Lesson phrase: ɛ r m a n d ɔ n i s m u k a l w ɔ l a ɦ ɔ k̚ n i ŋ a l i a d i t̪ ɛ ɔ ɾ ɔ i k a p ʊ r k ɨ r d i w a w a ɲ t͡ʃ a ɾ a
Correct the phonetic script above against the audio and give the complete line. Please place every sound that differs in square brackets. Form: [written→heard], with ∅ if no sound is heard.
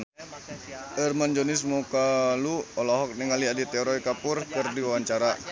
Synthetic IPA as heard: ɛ r m a n [d→d͡ʒ] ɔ n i s m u k a l [w→u] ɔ l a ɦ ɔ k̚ n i ŋ a l i a d i t̪ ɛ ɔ ɾ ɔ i k a p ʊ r k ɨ r d i w a w a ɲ t͡ʃ a ɾ a